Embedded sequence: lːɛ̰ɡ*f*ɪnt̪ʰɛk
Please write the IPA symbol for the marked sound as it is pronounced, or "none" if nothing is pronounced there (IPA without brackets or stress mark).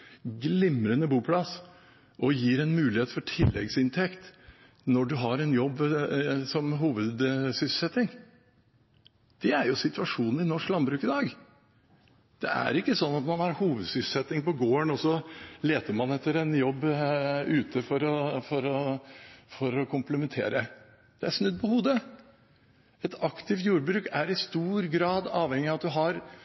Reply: s